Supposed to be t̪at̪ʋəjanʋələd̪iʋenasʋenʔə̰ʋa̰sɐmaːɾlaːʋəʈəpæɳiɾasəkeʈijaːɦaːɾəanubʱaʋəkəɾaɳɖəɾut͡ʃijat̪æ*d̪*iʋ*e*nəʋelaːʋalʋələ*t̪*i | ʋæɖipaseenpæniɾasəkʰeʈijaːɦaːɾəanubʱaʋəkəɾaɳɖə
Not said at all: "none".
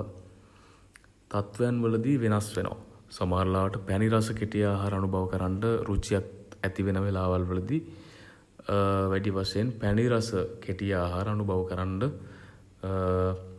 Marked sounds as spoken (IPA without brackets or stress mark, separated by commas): t̪, e, d̪